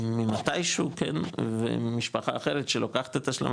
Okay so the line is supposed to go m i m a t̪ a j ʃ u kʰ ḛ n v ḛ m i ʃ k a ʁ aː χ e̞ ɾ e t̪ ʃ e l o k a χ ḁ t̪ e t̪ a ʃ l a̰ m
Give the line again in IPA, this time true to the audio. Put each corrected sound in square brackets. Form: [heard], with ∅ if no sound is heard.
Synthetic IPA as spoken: m i m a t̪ a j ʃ u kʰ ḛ n v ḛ m i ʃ [p] a [χ] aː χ e̞ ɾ e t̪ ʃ e l o k a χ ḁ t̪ e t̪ a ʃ l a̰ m

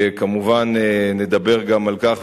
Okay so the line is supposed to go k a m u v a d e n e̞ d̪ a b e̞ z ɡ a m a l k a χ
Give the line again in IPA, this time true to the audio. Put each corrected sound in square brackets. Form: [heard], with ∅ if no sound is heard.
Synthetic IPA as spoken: k a m u v a [n] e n e̞ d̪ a b e̞ [ʁ] ɡ a m a l k a χ

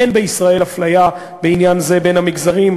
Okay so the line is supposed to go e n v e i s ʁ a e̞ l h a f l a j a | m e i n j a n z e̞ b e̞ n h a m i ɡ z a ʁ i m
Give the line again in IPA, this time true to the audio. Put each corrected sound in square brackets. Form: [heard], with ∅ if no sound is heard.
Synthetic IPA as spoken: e n [b] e i s ʁ a e̞ l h a f l a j a | [b] e i n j a n z e̞ b e̞ n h a m i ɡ z a ʁ i m

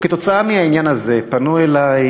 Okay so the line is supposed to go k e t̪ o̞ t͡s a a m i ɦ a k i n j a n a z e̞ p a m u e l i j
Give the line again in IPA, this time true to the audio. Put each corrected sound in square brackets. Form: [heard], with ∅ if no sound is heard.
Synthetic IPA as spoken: k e t̪ o̞ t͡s a a m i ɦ a [∅] i n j a n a z e̞ p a [n] u e l [a] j

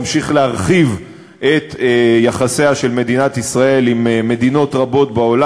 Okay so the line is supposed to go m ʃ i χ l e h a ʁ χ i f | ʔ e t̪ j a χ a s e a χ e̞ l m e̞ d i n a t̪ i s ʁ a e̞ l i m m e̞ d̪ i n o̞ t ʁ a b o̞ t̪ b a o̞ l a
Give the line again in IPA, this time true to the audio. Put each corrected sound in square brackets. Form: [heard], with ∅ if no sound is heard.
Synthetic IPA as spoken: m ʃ i χ l e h a ʁ χ i [v] | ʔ e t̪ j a χ a s e a [ʃ] e̞ l m e̞ d i n a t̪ i s ʁ a e̞ l i m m e̞ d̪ i n o̞ t ʁ a b o̞ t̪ b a o̞ l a

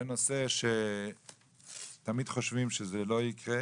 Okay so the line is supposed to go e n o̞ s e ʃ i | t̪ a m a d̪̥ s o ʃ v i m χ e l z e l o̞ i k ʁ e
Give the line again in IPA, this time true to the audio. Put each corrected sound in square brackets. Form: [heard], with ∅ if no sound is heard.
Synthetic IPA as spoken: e n o̞ s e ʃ [e] | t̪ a m [i] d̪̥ [χ] o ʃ v i m [ʃ] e [∅] z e l o̞ i k ʁ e

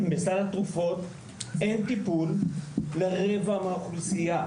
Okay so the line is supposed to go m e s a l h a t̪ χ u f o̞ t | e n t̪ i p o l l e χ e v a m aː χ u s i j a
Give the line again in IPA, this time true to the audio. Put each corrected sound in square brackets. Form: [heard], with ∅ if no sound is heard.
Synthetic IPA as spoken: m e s a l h a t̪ [ʁ] u f o̞ t | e n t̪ i p [u] l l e [ʁ] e v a m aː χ u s i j a

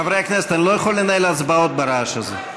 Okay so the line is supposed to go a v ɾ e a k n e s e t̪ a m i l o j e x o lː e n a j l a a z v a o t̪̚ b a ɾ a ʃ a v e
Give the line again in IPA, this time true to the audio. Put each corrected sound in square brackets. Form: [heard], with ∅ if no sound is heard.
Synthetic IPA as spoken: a v ɾ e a k n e s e t̪ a [n] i l o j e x o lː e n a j l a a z [b] a o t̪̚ b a ɾ a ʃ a [z] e

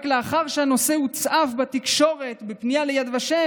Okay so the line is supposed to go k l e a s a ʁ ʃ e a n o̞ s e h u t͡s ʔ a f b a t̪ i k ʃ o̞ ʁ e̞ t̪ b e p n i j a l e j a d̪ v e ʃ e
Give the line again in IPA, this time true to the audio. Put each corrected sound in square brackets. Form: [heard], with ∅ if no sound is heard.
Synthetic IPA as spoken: k l e a [χ] a ʁ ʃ e a n o̞ s e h u t͡s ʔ a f b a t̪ i k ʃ o̞ ʁ e̞ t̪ b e p n i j a l e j a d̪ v [a] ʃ e

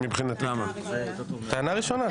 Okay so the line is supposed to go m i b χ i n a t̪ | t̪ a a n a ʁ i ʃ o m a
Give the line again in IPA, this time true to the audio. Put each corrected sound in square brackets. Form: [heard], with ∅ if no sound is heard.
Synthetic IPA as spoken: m i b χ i n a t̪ | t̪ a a n a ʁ i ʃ o [n] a

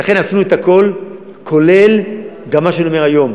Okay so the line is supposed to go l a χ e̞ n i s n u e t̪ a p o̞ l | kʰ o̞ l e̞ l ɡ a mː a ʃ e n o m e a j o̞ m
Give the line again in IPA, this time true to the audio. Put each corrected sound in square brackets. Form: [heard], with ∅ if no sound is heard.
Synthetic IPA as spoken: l a χ e̞ n [a] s n u e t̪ a [k] o̞ l | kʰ o̞ l e̞ l ɡ a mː a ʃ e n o m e a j o̞ m

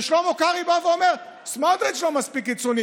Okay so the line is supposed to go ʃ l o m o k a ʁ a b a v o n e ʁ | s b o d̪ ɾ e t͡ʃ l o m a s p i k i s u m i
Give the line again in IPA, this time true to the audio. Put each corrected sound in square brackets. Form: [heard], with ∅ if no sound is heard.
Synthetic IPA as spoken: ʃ l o m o k a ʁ [i] b a v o [m] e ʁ | s [m] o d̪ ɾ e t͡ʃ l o m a s p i k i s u [n] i

